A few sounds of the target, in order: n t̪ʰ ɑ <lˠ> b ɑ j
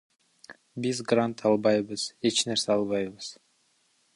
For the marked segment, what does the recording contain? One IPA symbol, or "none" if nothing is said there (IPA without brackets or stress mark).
lˠ